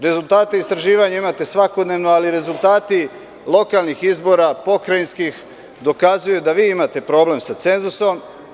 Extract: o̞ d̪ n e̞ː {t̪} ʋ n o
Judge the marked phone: incorrect: none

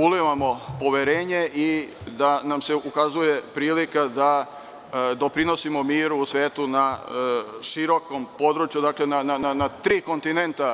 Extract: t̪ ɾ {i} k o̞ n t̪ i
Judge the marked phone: incorrect: iː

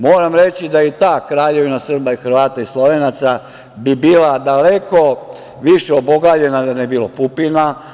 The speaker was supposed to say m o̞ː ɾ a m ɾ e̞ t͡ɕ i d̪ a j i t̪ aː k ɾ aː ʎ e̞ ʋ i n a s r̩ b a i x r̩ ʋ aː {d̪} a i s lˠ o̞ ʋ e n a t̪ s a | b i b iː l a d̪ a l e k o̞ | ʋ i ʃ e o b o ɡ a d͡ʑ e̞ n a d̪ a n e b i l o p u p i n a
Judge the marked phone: incorrect: t̪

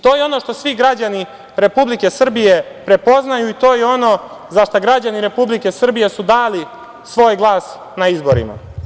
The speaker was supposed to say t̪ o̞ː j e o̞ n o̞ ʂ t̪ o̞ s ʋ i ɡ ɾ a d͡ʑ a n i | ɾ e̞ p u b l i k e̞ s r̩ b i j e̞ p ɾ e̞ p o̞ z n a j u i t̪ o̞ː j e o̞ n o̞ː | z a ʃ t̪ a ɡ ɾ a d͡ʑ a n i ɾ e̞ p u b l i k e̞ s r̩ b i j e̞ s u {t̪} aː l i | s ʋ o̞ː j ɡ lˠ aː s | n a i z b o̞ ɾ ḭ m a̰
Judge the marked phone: incorrect: d̪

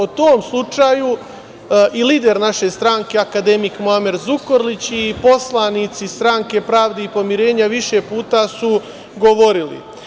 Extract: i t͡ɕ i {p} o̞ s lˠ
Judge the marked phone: correct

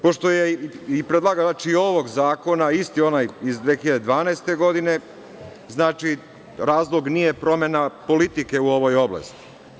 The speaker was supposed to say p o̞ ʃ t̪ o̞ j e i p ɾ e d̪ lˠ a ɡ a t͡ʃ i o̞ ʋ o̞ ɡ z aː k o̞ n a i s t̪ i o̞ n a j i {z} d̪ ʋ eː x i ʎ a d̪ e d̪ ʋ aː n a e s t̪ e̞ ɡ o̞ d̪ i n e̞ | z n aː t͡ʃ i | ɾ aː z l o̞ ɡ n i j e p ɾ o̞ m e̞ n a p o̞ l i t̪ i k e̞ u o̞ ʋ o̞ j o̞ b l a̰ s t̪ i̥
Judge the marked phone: correct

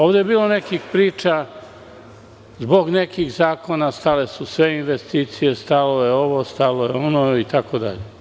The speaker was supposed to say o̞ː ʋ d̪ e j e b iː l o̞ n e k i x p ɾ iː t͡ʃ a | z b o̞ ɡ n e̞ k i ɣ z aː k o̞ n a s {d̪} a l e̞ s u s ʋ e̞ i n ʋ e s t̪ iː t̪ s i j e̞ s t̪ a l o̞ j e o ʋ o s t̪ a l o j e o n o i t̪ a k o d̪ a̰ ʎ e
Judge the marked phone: incorrect: t̪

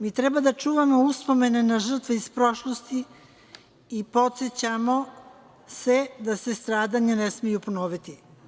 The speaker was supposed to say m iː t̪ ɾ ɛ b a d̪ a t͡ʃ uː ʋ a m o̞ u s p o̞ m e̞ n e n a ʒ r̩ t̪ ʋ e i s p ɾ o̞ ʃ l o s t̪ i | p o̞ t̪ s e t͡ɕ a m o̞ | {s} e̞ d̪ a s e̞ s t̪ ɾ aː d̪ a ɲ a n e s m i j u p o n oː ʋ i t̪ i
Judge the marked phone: correct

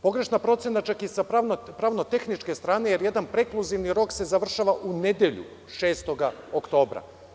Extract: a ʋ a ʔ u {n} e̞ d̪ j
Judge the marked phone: correct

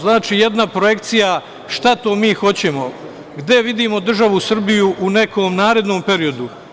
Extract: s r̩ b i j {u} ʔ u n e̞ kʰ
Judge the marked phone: correct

